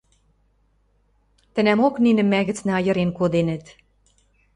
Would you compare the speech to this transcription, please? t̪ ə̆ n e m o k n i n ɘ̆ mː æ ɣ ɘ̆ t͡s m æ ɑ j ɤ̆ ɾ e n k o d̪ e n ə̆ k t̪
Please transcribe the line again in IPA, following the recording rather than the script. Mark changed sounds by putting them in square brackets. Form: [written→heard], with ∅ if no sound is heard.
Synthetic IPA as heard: t̪ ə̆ n [e→æ] m o k n i n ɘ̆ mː æ ɣ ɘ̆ t͡s [m→n] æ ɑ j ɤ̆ ɾ e n k o d̪ e n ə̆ [k→∅] t̪